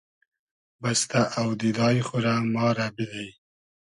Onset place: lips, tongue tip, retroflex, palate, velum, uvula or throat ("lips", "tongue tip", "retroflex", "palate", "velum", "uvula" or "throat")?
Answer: lips